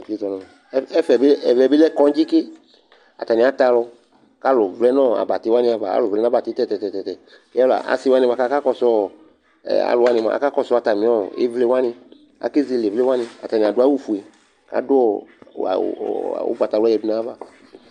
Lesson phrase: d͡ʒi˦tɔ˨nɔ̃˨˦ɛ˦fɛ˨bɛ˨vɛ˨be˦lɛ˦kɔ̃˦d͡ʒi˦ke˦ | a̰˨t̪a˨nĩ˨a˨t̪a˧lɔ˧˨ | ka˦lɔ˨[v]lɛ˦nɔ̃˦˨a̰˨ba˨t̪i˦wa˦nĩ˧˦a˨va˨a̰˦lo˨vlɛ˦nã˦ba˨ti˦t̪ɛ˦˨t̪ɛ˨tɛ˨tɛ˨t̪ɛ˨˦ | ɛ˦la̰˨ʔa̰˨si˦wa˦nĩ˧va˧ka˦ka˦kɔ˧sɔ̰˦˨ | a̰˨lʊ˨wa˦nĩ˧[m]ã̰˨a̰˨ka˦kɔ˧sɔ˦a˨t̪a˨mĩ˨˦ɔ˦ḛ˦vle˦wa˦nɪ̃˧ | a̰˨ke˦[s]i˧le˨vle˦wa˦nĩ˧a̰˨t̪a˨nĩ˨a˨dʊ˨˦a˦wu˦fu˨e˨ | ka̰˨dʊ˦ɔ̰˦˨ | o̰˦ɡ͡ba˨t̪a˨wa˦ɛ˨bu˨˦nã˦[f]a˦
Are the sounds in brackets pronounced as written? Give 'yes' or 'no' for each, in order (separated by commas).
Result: yes, yes, no, no